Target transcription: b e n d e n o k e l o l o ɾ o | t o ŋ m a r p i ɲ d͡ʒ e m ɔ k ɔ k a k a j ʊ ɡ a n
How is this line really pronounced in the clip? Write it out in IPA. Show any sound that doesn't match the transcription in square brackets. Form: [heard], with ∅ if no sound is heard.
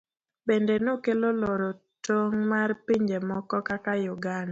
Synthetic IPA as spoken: b e n d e n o k e l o l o ɾ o | t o ŋ m a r p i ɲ d͡ʒ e m ɔ k ɔ k a k a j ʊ ɡ a n